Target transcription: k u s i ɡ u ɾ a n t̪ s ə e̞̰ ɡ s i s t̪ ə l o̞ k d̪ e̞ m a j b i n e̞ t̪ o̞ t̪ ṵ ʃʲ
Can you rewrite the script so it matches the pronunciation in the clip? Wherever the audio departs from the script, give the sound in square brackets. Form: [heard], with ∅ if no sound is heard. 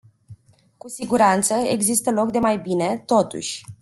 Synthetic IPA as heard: k u s i ɡ u ɾ a n t̪ s ə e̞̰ ɡ [z] i s t̪ ə l o̞ k d̪ e̞ m a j b i n e̞ t̪ o̞ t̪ ṵ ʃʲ